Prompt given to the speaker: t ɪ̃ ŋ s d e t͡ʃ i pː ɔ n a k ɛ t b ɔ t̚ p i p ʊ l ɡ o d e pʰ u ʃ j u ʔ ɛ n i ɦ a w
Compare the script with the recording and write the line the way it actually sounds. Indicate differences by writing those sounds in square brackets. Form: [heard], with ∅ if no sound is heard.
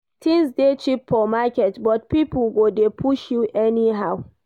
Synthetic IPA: t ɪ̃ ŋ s d e t͡ʃ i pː ɔ [m] a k ɛ t b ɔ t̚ p i p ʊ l ɡ o d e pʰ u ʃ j u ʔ ɛ n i ɦ a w